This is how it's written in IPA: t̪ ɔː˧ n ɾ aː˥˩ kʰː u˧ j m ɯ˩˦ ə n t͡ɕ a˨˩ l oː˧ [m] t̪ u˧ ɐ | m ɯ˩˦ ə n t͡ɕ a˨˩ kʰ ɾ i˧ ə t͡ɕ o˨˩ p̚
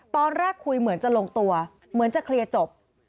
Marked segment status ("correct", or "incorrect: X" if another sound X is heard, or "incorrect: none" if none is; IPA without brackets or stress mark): incorrect: ŋ